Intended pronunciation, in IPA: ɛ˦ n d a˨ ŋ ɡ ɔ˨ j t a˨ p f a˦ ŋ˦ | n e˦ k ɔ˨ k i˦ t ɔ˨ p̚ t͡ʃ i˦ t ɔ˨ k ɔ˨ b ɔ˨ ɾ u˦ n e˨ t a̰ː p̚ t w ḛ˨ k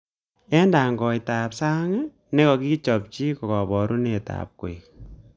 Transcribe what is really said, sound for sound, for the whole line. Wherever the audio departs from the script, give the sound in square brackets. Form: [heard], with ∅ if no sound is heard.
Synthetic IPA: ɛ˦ n d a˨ ŋ ɡ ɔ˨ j t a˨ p [s] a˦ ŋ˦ | n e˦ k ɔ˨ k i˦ [t͡ʃ] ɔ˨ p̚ t͡ʃ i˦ [k] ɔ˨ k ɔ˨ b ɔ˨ ɾ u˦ n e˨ t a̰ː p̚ [k] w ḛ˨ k